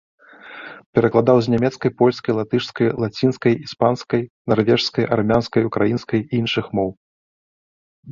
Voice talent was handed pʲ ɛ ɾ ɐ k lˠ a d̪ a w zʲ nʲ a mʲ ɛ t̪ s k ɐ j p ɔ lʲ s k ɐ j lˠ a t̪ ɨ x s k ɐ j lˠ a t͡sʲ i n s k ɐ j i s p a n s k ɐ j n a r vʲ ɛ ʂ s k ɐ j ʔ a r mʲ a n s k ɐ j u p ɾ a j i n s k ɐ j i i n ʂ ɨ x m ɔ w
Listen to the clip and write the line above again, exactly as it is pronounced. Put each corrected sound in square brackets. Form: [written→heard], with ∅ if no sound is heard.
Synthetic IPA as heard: pʲ ɛ ɾ ɐ k lˠ a d̪ a w zʲ nʲ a mʲ ɛ t̪ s k ɐ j p ɔ lʲ s k ɐ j lˠ a t̪ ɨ [x→ʂ] s k ɐ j lˠ a t͡sʲ i n s k ɐ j i s p a n s k ɐ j n a r vʲ ɛ ʂ s k ɐ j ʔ a r mʲ a n s k ɐ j u [p→k] ɾ a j i n s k ɐ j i i n ʂ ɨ x m ɔ w